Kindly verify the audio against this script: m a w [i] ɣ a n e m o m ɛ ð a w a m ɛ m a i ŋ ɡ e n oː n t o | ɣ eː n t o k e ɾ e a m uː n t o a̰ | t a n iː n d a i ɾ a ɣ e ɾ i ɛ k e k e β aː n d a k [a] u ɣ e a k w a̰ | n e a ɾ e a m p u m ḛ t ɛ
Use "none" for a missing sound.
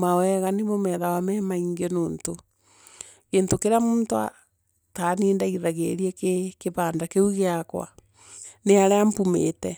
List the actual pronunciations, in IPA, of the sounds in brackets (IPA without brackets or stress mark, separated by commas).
ɛ, e